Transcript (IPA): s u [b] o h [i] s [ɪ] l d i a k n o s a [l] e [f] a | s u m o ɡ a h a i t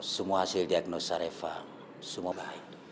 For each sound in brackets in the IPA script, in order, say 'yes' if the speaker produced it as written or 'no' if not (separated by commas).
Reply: no, no, no, no, yes